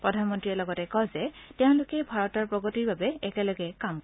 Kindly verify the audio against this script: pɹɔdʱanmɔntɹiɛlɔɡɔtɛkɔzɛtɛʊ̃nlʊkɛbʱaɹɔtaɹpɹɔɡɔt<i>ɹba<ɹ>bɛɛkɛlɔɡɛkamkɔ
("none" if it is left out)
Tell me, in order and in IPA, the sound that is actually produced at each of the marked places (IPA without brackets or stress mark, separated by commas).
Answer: i, none